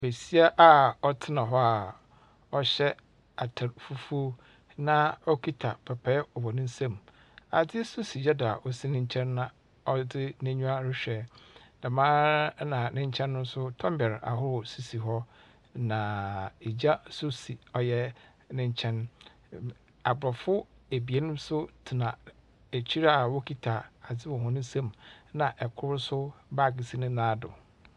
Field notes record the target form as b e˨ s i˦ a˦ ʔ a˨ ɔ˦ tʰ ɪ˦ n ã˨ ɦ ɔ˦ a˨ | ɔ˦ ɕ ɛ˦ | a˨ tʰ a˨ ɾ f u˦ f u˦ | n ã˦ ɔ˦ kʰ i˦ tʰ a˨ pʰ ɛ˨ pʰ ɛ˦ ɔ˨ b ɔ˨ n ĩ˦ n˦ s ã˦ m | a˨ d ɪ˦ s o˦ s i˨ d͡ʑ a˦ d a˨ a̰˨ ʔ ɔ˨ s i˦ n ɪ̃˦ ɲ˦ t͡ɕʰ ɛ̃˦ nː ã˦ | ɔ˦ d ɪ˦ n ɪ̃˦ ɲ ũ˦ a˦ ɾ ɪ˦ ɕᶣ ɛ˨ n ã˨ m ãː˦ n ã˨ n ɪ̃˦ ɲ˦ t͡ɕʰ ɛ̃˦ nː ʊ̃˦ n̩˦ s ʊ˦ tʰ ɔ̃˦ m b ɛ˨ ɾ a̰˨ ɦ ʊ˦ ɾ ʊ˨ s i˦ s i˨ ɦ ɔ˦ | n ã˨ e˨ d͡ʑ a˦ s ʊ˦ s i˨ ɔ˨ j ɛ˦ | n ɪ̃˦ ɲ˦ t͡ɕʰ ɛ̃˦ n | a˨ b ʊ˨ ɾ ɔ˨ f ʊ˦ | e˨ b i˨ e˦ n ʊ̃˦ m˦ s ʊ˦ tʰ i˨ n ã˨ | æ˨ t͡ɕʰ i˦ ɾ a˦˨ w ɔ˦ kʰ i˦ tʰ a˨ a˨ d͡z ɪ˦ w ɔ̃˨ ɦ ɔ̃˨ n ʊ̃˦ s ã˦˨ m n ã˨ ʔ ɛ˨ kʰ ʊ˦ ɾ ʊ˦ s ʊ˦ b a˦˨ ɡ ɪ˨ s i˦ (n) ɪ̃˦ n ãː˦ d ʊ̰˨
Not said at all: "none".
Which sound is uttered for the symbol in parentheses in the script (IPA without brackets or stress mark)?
n